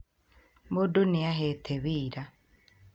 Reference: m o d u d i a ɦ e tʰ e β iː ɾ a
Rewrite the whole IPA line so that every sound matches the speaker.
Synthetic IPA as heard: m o d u n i a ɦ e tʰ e β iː ɾ a